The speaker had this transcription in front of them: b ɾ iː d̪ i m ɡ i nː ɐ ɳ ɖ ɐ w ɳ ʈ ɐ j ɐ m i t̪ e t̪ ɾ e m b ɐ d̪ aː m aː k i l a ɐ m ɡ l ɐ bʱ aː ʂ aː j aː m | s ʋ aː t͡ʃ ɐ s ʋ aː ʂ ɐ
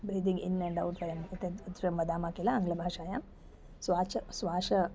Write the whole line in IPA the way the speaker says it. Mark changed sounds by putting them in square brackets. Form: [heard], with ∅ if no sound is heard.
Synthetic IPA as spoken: b ɾ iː d̪ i [ŋ] ɡ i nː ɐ ɳ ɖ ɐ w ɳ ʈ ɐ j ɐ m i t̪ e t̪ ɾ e m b ɐ d̪ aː m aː k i l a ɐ [ŋ] ɡ l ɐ bʱ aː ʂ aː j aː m | s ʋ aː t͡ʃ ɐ s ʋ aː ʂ ɐ